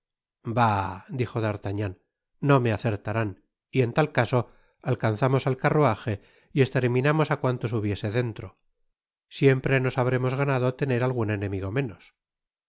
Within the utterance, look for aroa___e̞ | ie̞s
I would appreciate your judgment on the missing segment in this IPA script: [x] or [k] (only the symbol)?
x